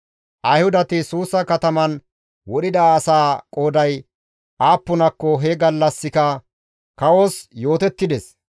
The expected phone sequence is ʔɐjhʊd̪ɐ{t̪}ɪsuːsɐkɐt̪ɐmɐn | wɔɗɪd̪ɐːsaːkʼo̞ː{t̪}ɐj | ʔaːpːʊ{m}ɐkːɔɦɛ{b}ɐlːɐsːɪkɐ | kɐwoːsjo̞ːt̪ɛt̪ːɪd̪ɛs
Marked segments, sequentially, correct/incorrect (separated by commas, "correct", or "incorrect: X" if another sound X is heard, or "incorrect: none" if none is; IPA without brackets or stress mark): correct, incorrect: d̪, incorrect: n, incorrect: ɡ